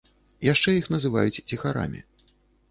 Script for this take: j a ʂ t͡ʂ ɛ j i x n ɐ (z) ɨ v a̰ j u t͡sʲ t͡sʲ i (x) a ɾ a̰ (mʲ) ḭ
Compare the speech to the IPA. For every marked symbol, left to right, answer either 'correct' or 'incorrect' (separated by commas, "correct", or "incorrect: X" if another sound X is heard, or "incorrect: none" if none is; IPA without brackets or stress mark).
correct, correct, correct